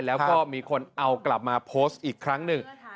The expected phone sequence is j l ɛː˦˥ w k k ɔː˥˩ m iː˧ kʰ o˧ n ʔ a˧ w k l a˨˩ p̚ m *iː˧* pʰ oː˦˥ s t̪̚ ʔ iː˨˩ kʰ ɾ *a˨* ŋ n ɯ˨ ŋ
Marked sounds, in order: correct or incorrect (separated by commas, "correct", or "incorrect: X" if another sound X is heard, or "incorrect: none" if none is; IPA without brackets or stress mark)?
incorrect: aː˧, incorrect: a˦˥